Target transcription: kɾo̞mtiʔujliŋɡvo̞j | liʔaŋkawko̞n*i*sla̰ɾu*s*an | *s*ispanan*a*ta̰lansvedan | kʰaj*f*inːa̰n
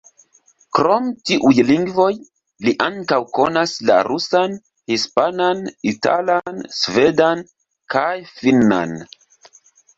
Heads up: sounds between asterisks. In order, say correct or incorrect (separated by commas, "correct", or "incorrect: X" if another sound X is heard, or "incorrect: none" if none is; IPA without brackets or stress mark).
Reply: incorrect: a, correct, incorrect: h, incorrect: i, correct